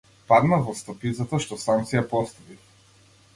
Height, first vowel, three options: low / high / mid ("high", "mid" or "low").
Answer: low